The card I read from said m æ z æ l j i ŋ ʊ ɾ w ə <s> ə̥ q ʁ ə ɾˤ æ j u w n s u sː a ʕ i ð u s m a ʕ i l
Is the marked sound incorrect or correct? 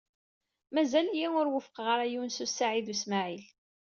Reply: incorrect: f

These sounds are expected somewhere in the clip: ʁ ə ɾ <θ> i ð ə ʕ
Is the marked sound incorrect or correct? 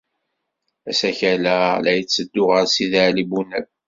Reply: incorrect: s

